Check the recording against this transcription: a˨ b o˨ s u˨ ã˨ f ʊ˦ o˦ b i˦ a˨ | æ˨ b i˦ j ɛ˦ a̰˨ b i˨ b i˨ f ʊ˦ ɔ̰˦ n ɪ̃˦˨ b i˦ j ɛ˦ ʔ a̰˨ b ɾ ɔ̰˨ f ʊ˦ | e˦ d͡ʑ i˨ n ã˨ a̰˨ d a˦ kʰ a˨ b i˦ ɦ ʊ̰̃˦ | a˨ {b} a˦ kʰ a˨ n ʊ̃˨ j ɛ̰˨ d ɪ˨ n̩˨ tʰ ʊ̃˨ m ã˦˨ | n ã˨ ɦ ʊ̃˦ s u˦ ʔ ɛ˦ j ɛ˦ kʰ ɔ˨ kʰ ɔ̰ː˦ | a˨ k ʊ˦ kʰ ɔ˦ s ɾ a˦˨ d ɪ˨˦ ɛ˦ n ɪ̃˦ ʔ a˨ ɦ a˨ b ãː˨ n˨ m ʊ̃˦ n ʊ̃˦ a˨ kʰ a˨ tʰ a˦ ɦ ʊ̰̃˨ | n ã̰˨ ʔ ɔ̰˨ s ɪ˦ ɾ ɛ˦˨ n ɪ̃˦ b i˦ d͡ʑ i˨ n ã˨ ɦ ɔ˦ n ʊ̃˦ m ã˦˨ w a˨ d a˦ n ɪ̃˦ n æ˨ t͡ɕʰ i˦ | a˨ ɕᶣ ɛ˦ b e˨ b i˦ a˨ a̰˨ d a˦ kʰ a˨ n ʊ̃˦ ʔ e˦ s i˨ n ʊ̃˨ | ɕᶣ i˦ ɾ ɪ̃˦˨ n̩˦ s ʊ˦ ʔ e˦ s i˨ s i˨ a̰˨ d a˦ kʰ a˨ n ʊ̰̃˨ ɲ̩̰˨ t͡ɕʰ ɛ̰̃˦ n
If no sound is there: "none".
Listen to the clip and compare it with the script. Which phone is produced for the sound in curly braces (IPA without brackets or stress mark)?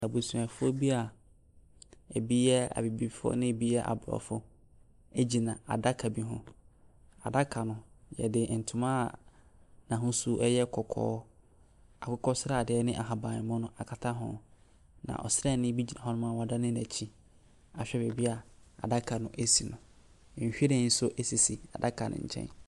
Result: d